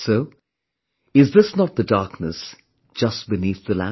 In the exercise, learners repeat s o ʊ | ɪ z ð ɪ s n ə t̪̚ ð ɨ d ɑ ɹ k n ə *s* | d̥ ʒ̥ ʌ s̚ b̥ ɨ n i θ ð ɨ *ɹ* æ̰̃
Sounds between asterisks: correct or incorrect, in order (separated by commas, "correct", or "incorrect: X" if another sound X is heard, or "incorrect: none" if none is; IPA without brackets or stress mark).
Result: correct, incorrect: l